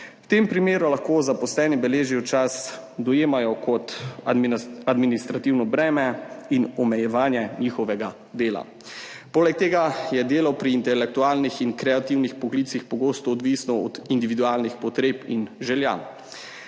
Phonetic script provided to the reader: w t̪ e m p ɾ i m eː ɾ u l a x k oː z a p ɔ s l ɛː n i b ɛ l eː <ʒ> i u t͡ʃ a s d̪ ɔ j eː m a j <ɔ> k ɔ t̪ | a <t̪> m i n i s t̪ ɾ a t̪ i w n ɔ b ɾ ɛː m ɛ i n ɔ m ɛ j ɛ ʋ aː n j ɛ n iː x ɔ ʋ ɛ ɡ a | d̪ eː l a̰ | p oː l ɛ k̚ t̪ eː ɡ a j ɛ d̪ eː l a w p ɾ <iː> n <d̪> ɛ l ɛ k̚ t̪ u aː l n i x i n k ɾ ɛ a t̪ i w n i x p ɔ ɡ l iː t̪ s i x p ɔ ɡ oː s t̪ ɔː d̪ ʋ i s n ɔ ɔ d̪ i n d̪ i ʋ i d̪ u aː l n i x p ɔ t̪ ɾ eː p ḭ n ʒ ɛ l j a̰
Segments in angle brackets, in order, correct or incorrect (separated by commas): correct, correct, incorrect, correct, incorrect